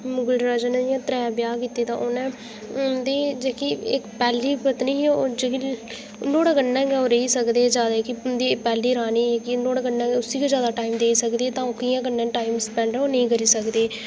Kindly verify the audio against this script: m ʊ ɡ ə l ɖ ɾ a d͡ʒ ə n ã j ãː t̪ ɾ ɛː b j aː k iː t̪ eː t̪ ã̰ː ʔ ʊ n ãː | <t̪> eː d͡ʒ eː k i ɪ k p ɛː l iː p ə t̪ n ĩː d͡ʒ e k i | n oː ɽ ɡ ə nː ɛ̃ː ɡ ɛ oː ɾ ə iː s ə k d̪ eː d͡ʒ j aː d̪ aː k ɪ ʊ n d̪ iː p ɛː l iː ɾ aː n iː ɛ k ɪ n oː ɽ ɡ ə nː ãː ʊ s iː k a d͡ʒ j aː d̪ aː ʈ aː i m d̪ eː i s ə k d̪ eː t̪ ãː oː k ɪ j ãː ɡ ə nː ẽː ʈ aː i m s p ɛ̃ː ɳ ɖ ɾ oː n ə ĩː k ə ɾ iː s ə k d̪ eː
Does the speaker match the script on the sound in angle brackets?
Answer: no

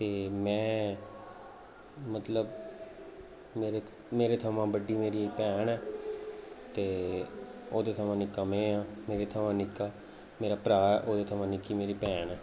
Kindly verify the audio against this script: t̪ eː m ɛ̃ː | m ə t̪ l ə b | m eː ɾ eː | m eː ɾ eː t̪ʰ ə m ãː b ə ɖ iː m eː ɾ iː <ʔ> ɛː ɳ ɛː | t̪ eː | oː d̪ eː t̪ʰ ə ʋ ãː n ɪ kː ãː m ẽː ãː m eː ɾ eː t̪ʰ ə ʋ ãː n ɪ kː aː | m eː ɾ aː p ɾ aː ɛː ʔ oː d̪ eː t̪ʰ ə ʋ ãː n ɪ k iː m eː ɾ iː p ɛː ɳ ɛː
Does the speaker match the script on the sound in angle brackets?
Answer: no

